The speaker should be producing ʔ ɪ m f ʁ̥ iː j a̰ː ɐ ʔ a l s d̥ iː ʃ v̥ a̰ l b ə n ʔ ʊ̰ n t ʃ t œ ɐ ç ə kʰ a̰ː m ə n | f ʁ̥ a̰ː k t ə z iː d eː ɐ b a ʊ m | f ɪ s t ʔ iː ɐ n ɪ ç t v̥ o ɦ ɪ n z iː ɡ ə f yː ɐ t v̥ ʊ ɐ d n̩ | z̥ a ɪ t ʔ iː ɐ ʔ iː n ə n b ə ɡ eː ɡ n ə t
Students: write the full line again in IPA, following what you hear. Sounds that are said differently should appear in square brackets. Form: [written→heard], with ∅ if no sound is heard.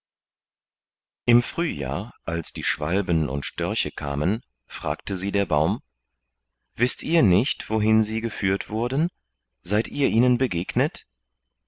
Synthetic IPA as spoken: ʔ ɪ m f ʁ̥ [iː→yː] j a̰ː ɐ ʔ a l s d̥ iː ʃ v̥ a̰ l b ə n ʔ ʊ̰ n t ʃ t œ ɐ ç ə kʰ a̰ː m ə n | f ʁ̥ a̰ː k t ə z iː d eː ɐ b a ʊ m | [f→v] ɪ s t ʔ iː ɐ n ɪ ç t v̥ o ɦ ɪ n z iː ɡ ə f yː ɐ t v̥ ʊ ɐ d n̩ | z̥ a ɪ t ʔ iː ɐ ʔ iː n ə n b ə ɡ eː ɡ n ə t